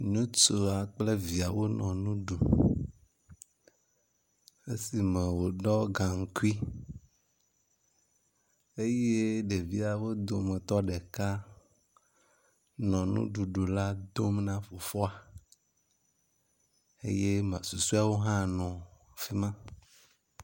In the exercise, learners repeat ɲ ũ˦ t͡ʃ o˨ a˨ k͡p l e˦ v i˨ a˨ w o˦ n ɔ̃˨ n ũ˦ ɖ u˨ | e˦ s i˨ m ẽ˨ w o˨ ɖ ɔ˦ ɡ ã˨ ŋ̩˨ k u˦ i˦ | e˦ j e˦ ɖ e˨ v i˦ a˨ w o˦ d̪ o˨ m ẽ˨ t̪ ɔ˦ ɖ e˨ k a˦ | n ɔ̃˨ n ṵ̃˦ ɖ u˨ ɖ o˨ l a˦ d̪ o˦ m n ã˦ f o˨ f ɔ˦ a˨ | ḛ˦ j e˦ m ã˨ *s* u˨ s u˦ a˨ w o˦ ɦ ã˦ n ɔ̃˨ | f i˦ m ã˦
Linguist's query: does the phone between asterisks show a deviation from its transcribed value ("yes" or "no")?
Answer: no